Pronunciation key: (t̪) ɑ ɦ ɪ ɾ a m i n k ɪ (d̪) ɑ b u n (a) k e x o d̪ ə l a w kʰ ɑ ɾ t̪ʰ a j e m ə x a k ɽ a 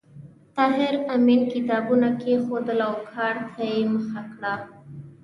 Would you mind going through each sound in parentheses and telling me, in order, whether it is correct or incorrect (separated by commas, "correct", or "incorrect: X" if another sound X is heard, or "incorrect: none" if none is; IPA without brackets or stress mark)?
correct, incorrect: t̪, correct